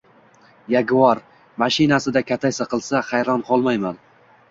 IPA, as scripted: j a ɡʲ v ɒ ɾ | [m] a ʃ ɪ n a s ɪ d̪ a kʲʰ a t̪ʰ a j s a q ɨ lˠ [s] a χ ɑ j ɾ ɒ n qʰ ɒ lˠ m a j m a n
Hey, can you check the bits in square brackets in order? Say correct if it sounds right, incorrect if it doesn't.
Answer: correct, correct

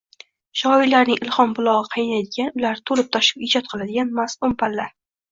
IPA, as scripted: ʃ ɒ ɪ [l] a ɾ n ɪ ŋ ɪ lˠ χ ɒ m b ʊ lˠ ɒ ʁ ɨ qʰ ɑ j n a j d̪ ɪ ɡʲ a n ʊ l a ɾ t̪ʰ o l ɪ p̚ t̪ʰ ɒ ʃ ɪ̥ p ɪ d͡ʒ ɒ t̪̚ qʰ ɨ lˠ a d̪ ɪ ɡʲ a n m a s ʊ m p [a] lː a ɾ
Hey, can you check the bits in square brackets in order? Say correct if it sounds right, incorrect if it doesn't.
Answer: correct, correct

